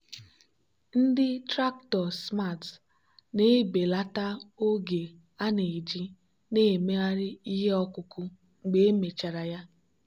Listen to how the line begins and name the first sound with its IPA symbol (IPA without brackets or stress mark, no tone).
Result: n̩